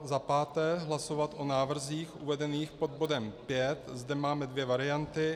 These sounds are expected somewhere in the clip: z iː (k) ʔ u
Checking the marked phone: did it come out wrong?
yes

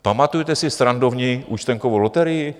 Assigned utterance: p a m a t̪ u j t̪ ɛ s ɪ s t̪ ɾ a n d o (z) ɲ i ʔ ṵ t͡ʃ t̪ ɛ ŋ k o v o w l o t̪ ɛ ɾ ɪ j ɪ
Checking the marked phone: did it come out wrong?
yes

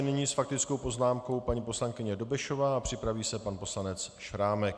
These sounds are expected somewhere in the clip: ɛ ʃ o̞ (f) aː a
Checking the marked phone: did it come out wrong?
yes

